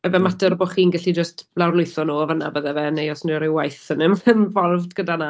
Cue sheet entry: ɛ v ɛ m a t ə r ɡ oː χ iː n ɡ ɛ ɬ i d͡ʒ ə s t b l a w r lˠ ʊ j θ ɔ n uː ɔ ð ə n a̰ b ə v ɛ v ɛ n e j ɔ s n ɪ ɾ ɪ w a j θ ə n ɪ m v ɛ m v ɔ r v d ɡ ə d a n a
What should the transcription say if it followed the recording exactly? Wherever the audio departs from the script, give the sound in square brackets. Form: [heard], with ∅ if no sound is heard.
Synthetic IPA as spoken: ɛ v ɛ m a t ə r [b] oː χ iː n ɡ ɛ ɬ i d͡ʒ ə s t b l a w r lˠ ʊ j θ ɔ n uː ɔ [v] ə n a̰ b ə [ð] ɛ v ɛ n e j ɔ s n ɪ ɾ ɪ w a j θ ə n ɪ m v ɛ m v ɔ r v d ɡ ə d a n a